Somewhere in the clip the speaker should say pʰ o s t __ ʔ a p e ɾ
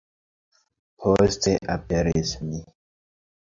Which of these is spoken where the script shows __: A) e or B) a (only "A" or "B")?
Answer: A